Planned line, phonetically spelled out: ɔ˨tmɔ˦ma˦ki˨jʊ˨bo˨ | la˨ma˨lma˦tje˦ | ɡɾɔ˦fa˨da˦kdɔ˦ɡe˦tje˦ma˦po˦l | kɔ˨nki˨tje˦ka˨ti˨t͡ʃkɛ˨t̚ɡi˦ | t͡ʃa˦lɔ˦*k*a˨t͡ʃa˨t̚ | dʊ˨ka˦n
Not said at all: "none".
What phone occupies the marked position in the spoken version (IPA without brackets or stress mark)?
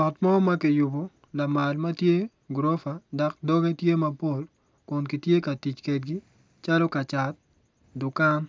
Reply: k